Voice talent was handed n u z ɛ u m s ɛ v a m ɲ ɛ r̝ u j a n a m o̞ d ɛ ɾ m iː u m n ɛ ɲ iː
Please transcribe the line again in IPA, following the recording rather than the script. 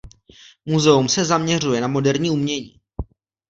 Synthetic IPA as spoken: m u z ɛ u m s ɛ z a m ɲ ɛ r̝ u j ɛ n a m o̞ d ɛ ɾ ɲ iː u m ɲ ɛ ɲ iː